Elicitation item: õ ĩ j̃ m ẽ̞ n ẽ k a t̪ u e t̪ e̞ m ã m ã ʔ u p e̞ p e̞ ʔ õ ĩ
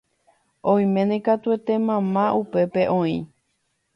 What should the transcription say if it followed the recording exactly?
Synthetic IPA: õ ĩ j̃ m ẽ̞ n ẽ k a t̪ u e t̪ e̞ m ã m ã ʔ u p e̞ p e̞ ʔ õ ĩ